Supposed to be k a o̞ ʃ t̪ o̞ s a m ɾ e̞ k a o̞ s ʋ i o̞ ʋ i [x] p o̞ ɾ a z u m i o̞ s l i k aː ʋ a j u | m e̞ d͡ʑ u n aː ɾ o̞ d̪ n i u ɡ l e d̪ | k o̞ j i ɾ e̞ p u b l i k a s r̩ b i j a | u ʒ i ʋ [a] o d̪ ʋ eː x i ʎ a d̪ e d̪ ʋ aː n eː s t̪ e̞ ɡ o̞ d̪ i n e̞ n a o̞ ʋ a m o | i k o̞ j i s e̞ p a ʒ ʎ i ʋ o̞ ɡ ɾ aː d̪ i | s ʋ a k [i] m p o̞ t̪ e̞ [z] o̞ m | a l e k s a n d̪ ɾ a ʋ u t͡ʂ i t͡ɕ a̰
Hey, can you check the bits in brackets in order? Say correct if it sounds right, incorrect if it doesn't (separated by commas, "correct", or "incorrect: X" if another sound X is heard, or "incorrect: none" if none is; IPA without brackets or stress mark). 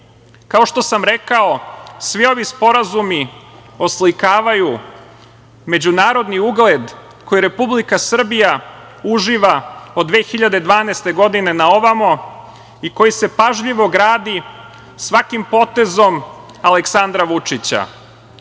incorrect: s, correct, correct, correct